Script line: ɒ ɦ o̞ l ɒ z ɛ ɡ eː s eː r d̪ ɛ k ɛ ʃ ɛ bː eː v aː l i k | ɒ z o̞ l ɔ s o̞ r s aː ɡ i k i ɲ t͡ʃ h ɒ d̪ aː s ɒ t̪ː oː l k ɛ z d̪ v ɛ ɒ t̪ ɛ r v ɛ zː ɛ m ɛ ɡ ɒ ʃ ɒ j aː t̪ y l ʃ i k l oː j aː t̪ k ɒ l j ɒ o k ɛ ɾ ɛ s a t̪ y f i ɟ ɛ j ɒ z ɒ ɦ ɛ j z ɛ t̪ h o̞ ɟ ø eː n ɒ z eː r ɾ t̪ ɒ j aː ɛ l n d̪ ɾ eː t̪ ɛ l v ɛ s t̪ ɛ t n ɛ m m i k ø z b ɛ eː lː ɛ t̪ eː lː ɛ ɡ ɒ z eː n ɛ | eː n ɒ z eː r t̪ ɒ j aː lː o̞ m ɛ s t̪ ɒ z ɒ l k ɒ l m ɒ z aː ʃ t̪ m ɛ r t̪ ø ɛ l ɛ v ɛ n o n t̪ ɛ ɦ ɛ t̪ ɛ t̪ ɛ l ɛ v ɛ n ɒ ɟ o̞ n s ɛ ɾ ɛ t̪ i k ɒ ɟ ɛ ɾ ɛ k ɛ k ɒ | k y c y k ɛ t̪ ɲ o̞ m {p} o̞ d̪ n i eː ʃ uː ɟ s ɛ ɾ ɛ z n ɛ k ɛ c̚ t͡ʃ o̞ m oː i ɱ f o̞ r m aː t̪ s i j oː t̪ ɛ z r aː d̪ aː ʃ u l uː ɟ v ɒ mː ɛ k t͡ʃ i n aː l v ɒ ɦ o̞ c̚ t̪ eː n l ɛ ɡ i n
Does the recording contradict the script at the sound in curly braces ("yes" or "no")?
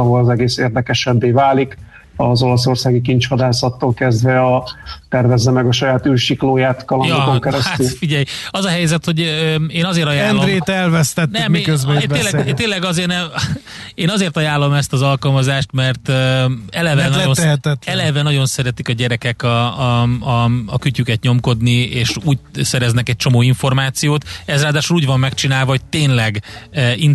yes